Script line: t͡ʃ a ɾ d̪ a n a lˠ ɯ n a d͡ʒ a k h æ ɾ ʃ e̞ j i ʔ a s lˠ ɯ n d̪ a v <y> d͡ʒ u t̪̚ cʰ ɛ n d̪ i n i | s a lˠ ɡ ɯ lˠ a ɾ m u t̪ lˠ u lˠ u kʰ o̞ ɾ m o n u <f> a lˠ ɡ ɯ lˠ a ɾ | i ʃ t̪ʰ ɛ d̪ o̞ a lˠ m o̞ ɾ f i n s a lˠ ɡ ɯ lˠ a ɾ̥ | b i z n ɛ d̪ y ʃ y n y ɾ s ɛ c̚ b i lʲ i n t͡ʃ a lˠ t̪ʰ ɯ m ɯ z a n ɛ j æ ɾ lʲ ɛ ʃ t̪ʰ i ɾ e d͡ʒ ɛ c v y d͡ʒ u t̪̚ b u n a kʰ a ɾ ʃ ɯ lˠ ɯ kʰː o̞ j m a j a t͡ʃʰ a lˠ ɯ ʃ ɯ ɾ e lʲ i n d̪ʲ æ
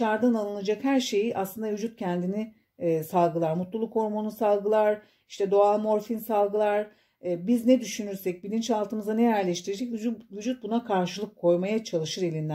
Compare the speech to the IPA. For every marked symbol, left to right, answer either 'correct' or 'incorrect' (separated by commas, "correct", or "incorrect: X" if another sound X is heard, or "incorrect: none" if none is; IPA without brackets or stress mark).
correct, incorrect: s